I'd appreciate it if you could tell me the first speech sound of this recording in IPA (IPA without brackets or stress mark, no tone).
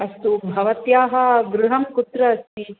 ɐ